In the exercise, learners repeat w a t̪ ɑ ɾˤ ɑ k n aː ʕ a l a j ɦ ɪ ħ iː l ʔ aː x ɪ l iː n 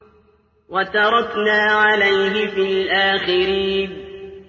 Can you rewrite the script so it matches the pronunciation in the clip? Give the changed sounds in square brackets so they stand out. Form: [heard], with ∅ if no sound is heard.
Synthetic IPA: w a t̪ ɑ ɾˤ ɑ k n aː ʕ a l a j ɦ ɪ [f] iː l ʔ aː x ɪ [ɾ] iː n